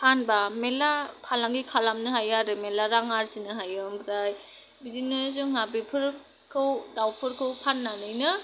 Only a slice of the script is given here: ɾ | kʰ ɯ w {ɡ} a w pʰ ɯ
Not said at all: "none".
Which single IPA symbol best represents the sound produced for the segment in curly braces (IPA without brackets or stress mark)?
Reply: d